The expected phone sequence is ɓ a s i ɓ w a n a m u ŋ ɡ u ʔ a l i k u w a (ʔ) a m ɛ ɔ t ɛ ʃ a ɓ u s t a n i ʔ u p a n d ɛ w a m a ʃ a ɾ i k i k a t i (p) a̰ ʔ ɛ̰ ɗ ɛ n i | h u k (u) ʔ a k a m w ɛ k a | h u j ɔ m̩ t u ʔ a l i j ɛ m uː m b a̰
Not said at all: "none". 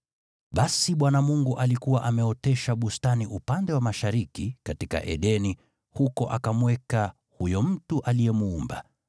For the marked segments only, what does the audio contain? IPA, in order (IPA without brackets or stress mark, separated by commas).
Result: ʔ, k, ɔ